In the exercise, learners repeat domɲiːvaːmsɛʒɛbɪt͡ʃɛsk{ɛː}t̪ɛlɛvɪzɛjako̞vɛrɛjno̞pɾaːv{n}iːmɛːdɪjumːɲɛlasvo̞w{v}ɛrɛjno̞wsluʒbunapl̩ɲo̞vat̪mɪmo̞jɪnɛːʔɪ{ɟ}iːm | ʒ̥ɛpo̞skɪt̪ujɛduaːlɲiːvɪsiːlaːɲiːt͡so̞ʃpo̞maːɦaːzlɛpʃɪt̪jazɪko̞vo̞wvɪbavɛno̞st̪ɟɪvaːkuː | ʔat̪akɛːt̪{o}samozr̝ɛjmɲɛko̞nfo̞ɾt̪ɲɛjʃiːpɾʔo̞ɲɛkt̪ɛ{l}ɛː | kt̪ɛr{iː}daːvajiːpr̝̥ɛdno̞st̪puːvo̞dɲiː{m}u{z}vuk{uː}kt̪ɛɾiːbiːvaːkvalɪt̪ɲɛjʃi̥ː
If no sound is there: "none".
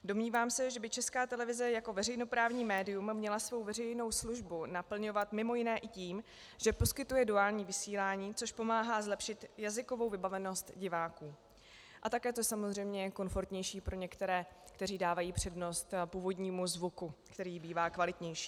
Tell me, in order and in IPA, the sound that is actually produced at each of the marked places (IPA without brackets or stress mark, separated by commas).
aː, ɲ, v, c, o, ɾ, iː, m, z, u